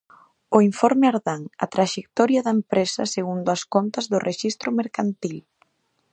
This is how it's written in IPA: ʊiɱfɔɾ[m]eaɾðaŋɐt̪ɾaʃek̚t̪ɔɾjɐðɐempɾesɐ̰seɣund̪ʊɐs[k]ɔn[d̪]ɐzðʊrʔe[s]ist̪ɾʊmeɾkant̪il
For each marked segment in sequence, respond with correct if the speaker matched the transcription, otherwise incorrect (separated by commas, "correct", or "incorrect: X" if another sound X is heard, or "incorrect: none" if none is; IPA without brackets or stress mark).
correct, correct, incorrect: t̪, incorrect: ʃ